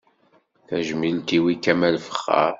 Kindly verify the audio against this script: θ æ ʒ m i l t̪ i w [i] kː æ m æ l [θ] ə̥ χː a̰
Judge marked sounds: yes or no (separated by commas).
yes, no